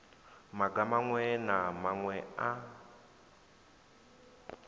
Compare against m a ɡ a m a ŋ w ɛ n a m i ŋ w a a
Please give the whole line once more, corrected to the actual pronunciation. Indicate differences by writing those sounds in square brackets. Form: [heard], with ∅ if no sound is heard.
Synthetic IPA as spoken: m a ɡ a m a ŋ w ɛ n a m [a] ŋ w [ɛ] a